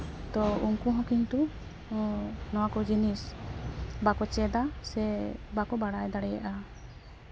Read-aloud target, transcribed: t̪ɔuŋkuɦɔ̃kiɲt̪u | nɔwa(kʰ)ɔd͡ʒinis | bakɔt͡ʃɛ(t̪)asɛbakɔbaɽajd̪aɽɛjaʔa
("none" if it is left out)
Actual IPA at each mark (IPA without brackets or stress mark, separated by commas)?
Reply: k, d̪